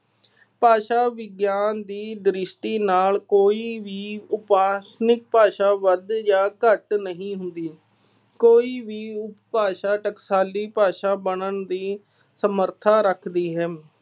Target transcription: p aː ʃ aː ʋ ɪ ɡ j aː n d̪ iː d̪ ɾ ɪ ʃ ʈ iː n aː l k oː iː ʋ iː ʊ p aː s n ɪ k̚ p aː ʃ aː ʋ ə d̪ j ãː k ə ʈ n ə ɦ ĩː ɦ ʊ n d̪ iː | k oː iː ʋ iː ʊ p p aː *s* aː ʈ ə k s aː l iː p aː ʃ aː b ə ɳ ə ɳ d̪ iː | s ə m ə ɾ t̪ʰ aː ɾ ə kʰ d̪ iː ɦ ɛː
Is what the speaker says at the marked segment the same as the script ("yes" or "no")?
no